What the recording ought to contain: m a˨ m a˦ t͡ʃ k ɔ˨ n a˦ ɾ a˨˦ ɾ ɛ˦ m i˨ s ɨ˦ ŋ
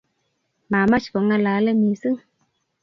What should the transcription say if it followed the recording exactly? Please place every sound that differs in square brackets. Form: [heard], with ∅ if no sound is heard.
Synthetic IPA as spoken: m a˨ m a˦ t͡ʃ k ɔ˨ [ŋ] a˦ [l] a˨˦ [l] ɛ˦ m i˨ s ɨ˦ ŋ